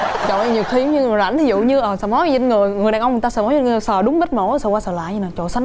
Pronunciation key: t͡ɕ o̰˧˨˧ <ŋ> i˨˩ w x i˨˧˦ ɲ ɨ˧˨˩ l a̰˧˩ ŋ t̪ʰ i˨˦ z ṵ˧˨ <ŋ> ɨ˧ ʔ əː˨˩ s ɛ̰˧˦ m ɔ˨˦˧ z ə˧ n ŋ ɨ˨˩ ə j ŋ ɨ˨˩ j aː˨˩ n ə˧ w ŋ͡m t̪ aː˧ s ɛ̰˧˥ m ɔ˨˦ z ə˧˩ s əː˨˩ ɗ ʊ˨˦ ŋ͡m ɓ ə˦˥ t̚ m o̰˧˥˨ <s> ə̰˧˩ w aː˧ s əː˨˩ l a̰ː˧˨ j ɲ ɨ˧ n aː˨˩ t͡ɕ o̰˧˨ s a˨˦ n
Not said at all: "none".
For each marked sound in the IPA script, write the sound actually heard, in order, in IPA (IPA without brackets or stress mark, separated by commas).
ɲ, ɲ, s